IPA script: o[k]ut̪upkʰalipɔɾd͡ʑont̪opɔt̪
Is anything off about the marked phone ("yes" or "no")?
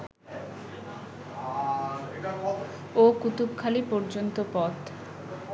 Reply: no